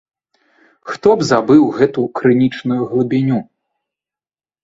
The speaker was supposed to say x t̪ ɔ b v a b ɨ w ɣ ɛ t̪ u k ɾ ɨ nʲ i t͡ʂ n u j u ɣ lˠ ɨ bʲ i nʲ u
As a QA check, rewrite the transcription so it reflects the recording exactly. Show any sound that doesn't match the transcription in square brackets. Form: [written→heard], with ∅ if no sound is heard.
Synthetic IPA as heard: x t̪ ɔ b [v→z] a b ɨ w ɣ ɛ t̪ u k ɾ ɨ nʲ i t͡ʂ n u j u ɣ lˠ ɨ bʲ i nʲ u